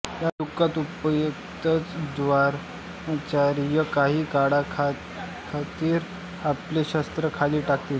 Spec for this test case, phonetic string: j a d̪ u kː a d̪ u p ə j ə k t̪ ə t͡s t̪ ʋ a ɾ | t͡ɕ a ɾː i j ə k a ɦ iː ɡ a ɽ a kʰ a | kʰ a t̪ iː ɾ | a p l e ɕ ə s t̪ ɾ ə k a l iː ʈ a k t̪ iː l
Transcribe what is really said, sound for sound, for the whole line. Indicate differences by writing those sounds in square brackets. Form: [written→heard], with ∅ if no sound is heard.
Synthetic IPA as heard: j a d̪ u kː a [d̪→t̪] u p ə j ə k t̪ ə t͡s [t̪→d̪] ʋ a ɾ | t͡ɕ a [ɾː→ɾ] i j ə k a ɦ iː [ɡ→k] a ɽ a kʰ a | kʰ a t̪ iː ɾ | a p l e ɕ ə s t̪ ɾ ə [k→kʰ] a l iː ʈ a k t̪ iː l

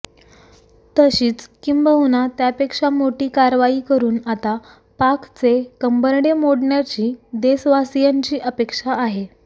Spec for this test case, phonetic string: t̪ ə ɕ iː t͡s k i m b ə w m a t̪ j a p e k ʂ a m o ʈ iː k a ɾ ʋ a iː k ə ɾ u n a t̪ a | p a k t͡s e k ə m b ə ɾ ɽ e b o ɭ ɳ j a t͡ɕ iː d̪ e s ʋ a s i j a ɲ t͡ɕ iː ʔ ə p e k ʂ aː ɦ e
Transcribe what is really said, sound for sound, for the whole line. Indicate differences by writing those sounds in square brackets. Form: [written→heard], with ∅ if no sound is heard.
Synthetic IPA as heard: t̪ ə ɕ iː t͡s k i m b ə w [m→n] a t̪ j a p e k ʂ a m o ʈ iː k a ɾ ʋ a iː k ə ɾ [u→uː] n a t̪ a | p a k t͡s e k ə m b ə ɾ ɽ e [b→m] o [ɭ→ɽ] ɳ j a t͡ɕ iː d̪ e s ʋ a s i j a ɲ t͡ɕ iː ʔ ə p e k ʂ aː ɦ e

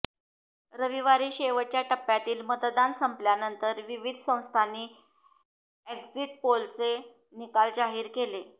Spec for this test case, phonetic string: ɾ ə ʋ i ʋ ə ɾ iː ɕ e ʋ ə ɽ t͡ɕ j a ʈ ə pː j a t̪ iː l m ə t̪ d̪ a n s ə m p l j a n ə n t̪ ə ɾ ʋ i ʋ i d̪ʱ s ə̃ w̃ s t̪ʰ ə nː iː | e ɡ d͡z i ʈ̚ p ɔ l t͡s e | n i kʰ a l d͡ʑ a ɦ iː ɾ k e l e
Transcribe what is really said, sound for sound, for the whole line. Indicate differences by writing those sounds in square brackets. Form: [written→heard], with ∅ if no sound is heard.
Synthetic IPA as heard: ɾ ə ʋ i ʋ [ə→a] ɾ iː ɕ e ʋ ə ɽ t͡ɕ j a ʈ ə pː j a t̪ iː l m ə t̪ d̪ a n s ə m p l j a n ə n t̪ ə ɾ ʋ i ʋ i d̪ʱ s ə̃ w̃ s t̪ʰ [ə→a] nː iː | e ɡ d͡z i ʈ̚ p [ɔ→o] l t͡s e | n i [kʰ→k] a l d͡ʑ a ɦ iː ɾ k e l e

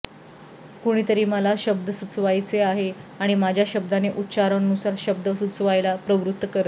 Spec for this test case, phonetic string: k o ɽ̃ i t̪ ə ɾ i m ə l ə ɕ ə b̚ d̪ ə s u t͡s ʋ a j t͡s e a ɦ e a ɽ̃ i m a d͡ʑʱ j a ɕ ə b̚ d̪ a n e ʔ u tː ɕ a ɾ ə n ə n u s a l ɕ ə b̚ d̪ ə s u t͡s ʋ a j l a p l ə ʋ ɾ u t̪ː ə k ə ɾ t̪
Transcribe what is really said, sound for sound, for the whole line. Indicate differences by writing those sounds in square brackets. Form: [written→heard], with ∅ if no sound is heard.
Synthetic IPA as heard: k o ɽ̃ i t̪ ə ɾ [i→iː] m ə l [ə→a] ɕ ə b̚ d̪ ə s u t͡s ʋ a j t͡s e a ɦ e a ɽ̃ i m a d͡ʑʱ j a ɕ ə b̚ d̪ a n e ʔ u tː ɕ a ɾ ə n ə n u s a [l→ɾ] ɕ ə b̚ d̪ ə s u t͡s ʋ a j l a p [l→ɾ] ə ʋ ɾ u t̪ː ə k ə ɾ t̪

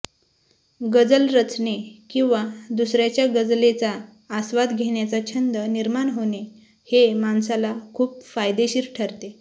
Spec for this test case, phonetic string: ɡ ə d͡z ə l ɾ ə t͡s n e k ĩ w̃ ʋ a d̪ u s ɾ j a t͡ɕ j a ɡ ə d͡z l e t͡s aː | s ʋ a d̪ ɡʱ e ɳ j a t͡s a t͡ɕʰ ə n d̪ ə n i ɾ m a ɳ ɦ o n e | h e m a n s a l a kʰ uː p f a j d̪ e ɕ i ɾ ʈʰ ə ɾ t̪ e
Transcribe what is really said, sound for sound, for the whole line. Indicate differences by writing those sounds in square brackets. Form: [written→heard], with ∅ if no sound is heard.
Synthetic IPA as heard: ɡ ə d͡z ə l ɾ ə t͡s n e k ĩ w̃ ʋ a d̪ u s ɾ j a t͡ɕ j a ɡ ə d͡z l e t͡s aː | s ʋ a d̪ ɡʱ e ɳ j a t͡s a t͡ɕʰ ə n d̪ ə n i ɾ m a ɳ ɦ o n e | h e m a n s a l a kʰ uː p f a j d̪ e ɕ i ɾ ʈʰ ə ɾ t̪ e

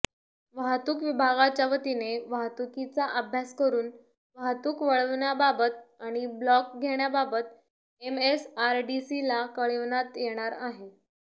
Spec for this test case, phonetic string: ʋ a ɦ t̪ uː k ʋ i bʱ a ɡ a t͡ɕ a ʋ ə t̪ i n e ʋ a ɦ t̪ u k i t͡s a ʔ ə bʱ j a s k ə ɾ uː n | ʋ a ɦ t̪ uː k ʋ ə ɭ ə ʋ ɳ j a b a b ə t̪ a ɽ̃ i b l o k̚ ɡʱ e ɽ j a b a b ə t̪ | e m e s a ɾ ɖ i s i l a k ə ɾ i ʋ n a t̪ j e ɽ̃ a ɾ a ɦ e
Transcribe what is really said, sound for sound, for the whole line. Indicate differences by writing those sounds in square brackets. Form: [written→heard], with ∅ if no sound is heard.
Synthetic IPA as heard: ʋ a ɦ t̪ uː k ʋ i bʱ a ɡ a t͡ɕ a ʋ ə t̪ i n e ʋ a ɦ t̪ u k i t͡s a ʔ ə bʱ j a s k ə ɾ uː n | ʋ a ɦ t̪ uː k ʋ ə ɭ ə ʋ ɳ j a b a b ə t̪ a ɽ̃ i b l [o→ɔ] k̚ ɡʱ e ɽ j a b a b ə t̪ | e m e s a ɾ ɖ i s i l a k ə [ɾ→ɭ] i ʋ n a t̪ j e ɽ̃ a ɾ a ɦ e

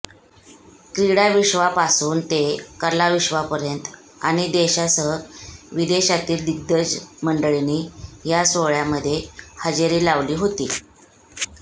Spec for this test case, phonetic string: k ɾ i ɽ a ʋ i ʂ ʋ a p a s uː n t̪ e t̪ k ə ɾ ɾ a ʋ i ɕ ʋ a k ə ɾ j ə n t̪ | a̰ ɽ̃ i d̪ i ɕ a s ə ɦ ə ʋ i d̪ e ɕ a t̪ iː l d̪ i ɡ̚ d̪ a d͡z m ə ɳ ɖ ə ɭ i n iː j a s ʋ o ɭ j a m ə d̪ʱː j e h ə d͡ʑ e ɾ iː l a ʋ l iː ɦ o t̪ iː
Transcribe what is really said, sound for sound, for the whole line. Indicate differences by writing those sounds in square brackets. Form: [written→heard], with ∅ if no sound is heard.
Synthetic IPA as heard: k ɾ i ɽ a ʋ i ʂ ʋ a p a s uː n t̪ e [t̪→∅] k ə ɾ [ɾ→l] a ʋ i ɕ ʋ a [k→p] ə ɾ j ə n t̪ | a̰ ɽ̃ i d̪ [i→e] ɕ a s ə ɦ ə ʋ i d̪ e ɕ a t̪ iː l d̪ i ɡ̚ d̪ [a→ə] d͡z m ə ɳ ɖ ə ɭ i n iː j a s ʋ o ɭ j a m ə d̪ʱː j e h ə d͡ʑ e ɾ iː l a ʋ l iː ɦ o t̪ iː

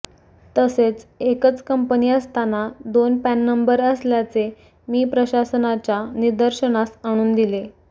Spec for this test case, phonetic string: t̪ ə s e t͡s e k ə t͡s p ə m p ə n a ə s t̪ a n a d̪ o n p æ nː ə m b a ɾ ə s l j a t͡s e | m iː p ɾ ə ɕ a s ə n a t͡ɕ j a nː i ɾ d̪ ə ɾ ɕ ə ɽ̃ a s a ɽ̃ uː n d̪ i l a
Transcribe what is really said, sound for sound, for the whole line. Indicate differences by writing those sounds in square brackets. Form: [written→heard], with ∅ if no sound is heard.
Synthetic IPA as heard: t̪ ə s e t͡s e k ə t͡s [p→k] ə m p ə n [a→i] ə s t̪ a n a d̪ o n p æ nː ə m b [a→ə] ɾ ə s l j a t͡s e | m iː p ɾ ə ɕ a s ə n a t͡ɕ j a [nː→n] i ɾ d̪ ə ɾ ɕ ə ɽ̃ a s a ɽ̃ uː n d̪ i l [a→e]

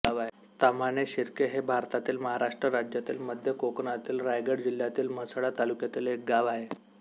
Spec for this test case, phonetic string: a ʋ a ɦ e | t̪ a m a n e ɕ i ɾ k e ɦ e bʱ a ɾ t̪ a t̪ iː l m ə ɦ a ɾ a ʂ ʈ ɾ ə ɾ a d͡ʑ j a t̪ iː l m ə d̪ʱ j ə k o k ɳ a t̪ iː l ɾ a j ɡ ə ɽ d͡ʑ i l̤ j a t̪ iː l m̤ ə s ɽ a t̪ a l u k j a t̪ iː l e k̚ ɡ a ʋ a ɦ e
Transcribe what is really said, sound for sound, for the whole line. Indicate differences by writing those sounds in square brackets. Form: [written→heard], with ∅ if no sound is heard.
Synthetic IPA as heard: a ʋ a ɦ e | t̪ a m a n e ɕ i ɾ k e ɦ e bʱ a ɾ t̪ a t̪ iː l m ə ɦ a ɾ a ʂ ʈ ɾ ə ɾ a d͡ʑ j a t̪ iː l m ə d̪ʱ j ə k o k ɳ a t̪ iː l ɾ a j ɡ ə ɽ d͡ʑ i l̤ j a t̪ iː l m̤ ə s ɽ a t̪ a l u k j a t̪ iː l e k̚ ɡ a ʋ a ɦ e

